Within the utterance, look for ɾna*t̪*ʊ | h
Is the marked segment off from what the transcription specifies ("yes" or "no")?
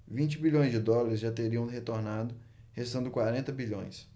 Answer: yes